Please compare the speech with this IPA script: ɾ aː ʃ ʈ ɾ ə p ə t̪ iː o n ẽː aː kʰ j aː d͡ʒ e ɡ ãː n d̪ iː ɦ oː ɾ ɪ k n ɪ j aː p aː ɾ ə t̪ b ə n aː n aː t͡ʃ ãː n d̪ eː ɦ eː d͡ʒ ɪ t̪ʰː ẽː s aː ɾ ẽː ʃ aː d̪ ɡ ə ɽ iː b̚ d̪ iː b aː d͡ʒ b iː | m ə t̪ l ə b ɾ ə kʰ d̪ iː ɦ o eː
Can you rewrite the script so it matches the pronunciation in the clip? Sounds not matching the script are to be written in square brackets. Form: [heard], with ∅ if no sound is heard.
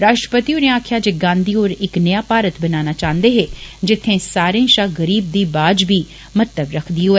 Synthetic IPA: ɾ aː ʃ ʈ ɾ ə p ə t̪ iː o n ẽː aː kʰ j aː d͡ʒ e ɡ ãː n d̪ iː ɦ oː ɾ ɪ k n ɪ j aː p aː ɾ ə t̪ b ə n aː n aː t͡ʃ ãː n d̪ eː ɦ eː d͡ʒ ɪ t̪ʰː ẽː s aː ɾ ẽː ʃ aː [∅] ɡ ə [ɾ] iː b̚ d̪ iː b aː d͡ʒ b iː | m ə t̪ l ə b ɾ ə kʰ d̪ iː ɦ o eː